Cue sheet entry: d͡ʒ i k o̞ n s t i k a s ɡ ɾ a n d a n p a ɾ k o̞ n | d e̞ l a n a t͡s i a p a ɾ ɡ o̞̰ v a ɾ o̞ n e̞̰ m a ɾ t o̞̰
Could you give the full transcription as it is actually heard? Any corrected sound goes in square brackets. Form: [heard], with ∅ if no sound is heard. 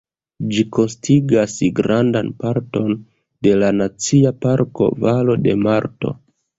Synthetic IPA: d͡ʒ i k o̞ n s t i [ɡ] a s ɡ ɾ a n d a n p a ɾ [t] o̞ n | d e̞ l a n a t͡s i a p a ɾ [k] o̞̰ v a [l] o̞ [d] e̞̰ m a ɾ t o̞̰